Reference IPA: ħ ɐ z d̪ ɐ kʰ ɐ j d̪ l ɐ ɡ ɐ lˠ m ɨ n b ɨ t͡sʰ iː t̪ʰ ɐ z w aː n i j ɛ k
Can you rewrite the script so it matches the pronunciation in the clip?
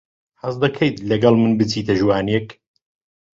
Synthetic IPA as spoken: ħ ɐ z d̪ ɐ kʰ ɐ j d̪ l ɐ ɡ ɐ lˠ m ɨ n b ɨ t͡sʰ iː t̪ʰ ɐ ʒ w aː n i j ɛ k